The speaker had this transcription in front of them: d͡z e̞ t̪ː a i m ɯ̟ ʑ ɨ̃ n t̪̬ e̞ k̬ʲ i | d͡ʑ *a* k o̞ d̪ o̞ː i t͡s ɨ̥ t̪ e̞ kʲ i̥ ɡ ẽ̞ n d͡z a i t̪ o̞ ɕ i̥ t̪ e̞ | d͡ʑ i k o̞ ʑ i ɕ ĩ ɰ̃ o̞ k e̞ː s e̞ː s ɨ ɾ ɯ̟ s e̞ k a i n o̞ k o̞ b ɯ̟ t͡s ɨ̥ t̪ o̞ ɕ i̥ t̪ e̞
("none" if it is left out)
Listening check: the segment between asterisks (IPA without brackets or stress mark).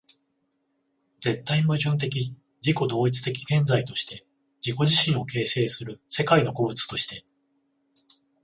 i